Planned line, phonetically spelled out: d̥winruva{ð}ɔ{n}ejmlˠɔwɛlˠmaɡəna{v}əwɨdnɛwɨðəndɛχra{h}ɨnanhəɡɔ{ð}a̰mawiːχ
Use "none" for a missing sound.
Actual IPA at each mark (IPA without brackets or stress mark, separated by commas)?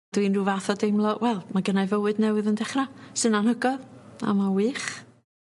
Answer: θ, d, v, s, ð